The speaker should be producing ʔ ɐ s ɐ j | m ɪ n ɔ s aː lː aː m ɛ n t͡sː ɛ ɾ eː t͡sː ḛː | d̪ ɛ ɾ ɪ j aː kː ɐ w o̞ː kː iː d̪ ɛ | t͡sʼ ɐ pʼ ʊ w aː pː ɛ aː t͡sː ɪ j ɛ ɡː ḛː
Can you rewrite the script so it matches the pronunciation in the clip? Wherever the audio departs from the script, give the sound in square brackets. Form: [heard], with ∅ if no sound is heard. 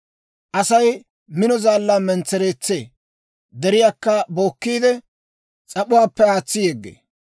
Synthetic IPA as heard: ʔ ɐ s ɐ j | m ɪ n ɔ [z] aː lː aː m ɛ n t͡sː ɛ ɾ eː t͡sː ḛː | d̪ ɛ ɾ ɪ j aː kː ɐ [b] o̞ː kː iː d̪ ɛ | t͡sʼ ɐ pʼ ʊ w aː pː ɛ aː t͡sː ɪ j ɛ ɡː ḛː